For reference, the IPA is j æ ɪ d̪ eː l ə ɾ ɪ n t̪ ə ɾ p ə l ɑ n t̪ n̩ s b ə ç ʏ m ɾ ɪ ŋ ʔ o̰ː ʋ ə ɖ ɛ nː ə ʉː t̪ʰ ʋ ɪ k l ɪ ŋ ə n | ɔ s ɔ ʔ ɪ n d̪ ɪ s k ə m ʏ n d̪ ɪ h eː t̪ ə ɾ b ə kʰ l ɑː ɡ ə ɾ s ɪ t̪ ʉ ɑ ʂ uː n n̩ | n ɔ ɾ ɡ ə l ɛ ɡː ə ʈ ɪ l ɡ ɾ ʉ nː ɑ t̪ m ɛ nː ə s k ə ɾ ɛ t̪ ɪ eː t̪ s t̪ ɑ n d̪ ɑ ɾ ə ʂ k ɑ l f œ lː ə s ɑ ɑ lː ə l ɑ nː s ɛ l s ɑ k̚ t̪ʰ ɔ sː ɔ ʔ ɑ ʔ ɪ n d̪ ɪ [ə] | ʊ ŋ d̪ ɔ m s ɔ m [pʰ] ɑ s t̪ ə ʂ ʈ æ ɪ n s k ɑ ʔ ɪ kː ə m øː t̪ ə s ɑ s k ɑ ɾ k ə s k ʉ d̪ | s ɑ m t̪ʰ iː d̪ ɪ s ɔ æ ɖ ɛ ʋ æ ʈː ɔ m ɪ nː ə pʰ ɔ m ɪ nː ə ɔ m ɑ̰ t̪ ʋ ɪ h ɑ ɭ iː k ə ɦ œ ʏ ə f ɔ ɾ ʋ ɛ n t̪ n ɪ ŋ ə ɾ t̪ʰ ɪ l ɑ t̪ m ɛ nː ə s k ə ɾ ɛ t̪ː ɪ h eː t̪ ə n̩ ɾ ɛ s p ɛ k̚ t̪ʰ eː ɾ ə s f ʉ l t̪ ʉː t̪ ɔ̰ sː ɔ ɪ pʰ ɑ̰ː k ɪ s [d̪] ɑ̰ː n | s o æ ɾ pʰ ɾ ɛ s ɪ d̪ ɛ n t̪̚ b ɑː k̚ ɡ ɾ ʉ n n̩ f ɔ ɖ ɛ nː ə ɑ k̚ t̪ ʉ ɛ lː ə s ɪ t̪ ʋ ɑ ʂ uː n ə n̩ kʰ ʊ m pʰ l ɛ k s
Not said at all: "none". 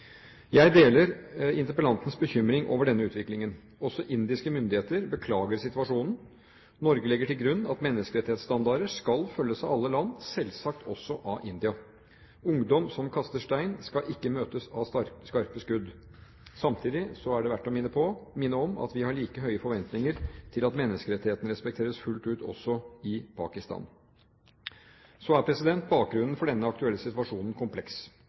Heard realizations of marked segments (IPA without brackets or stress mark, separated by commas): ɑ, kʰ, t̪